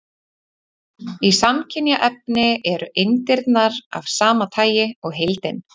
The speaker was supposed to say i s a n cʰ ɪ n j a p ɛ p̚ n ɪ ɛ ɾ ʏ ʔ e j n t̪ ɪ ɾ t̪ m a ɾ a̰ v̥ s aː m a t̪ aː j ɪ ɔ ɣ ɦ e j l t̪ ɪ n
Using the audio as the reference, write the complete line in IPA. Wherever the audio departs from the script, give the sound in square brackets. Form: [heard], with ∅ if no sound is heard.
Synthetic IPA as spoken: i s a [m] cʰ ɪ n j a [ʔ] ɛ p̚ n ɪ ɛ ɾ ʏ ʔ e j n t̪ ɪ ɾ t̪ [n] a ɾ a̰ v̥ s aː m a [t̪ʰ] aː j ɪ ɔ ɣ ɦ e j l t̪ ɪ n